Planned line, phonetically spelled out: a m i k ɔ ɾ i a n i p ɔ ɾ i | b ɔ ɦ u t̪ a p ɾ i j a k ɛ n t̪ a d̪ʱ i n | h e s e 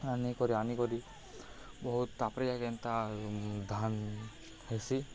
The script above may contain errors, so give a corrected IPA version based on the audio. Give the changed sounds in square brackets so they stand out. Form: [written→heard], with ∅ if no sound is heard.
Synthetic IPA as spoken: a [m→n] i k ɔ ɾ i a n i [p→k] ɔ ɾ i | b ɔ ɦ u t̪ a p ɾ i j a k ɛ n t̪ a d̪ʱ [i→a] n | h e s [e→i]